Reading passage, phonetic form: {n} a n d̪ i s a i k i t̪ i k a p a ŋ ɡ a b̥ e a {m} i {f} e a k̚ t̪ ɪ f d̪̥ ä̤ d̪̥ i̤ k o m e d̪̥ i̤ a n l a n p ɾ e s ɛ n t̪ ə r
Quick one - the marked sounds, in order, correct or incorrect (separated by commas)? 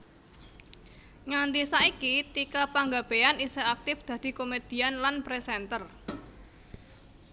incorrect, incorrect, incorrect